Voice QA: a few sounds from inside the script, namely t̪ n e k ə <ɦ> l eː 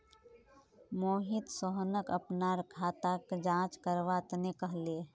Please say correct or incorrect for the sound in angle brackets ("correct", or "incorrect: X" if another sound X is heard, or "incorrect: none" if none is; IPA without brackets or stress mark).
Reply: correct